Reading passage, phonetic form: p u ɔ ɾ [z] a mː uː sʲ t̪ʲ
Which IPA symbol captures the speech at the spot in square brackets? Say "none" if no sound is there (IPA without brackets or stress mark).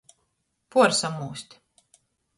s